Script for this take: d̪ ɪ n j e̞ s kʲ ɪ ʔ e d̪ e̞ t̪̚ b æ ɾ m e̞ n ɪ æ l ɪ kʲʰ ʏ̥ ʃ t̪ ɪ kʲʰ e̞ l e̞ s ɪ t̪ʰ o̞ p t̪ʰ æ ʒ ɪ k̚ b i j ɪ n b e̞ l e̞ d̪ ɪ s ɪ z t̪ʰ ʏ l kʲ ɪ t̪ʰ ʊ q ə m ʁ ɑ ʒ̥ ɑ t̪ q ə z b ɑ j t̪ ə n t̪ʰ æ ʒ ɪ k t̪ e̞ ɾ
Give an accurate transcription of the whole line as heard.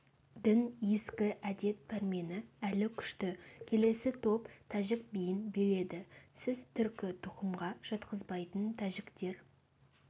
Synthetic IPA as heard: d̪ ɪ n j e̞ s kʲ ɪ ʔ æ d̪ e̞ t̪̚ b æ ɾ m e̞ n ɪ æ l ɪ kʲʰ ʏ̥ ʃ t̪ ɪ kʲʰ e̞ l e̞ s ɪ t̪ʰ o̞ p t̪ʰ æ ʒ ɪ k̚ b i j ɪ n b e̞ l e̞ d̪ ɪ s ɪ z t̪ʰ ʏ ɾ kʲ ɪ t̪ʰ ʊ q ə m ʁ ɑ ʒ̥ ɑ t̪ q ə z b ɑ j t̪ ə n t̪ʰ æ ʒ ɪ k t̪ e̞ ɾ